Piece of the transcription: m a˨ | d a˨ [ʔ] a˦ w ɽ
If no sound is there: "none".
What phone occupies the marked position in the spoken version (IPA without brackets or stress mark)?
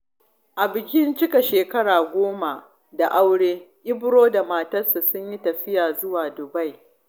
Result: ʔ